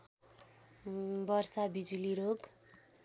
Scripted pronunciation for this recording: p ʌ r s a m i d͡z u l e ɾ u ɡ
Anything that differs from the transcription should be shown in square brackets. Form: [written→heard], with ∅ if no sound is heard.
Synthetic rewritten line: [p→b] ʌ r s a [m→b] i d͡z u l [e→i] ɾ [u→o] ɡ